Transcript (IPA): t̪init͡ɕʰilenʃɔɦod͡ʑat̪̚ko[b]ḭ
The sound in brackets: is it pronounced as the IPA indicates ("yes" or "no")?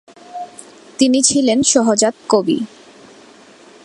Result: yes